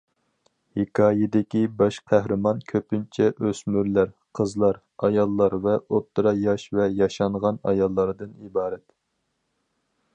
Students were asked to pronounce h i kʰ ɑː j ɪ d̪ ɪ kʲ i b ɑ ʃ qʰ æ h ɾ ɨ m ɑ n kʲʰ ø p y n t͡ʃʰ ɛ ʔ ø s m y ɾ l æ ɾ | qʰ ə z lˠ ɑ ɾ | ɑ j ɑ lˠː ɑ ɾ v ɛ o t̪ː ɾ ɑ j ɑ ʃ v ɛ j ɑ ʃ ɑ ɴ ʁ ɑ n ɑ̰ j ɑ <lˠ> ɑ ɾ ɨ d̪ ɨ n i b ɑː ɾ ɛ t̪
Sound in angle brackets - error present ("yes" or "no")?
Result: yes